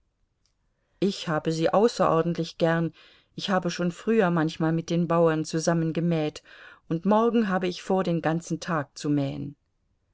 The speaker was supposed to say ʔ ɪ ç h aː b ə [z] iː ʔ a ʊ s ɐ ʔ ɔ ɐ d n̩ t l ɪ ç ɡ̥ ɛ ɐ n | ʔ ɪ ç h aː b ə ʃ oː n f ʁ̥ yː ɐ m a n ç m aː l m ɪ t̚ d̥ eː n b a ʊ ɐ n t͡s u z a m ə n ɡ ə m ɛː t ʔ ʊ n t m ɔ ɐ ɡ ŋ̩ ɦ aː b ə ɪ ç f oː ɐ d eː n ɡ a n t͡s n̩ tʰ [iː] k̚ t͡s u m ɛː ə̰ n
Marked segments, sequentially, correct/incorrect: correct, incorrect

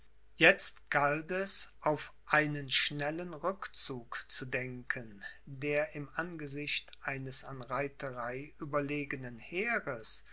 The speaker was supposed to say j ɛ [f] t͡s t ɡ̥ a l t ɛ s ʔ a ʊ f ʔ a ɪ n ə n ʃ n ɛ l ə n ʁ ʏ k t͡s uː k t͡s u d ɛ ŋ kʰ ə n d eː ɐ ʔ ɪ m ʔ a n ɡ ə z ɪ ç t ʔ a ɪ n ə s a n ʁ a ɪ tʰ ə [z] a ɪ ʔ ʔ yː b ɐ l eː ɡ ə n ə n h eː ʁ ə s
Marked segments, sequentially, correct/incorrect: incorrect, incorrect

